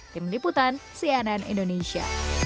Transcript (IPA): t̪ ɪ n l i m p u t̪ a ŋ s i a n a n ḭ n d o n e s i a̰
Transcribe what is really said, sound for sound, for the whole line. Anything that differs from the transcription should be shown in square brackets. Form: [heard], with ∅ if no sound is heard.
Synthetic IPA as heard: t̪ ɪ [m] l i [∅] p u t̪ a [n] s i a n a n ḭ n d o n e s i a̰